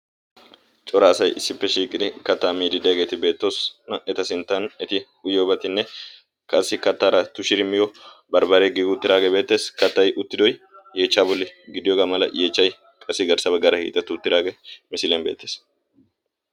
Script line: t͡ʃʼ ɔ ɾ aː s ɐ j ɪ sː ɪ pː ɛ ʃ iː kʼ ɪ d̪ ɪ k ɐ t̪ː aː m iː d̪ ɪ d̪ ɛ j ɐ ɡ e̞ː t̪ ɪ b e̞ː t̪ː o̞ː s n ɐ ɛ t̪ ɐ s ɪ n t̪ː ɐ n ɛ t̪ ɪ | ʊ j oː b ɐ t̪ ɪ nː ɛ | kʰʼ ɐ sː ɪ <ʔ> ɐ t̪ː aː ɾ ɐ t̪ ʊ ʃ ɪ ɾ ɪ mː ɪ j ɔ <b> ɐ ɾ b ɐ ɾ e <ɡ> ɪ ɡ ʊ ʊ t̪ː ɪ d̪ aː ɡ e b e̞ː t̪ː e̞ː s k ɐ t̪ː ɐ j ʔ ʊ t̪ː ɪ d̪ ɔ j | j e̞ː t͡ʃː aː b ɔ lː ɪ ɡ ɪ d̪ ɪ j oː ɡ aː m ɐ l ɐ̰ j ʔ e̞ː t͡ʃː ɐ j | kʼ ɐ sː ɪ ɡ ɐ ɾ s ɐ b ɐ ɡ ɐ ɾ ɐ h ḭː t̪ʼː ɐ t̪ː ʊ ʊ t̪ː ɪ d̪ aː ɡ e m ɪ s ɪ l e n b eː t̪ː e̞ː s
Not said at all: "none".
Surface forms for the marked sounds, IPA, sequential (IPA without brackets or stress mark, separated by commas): k, b, ɡ